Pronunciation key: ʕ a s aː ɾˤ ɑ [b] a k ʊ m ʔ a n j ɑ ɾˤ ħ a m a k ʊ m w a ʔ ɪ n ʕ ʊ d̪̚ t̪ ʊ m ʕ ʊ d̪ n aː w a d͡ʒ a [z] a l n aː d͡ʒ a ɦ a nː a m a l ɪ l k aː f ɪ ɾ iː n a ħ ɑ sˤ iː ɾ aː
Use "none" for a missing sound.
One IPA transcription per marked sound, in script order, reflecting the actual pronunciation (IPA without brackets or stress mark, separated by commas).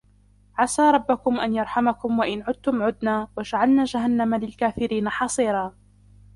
bː, ʕ